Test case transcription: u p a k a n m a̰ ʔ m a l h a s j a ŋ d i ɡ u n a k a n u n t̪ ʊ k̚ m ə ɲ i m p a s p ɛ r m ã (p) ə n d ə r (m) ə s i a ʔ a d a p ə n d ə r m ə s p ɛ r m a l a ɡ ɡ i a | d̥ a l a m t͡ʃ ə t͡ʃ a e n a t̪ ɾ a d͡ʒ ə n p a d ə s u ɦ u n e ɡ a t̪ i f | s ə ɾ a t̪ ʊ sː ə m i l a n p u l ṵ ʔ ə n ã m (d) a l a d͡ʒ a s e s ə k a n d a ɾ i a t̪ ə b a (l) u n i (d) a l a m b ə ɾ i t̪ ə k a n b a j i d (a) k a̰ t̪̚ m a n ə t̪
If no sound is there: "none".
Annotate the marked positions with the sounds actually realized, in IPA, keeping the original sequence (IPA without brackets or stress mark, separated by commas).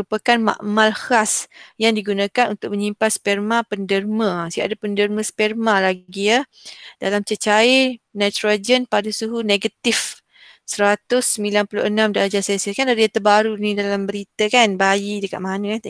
p, m, d, ɾ, d, ə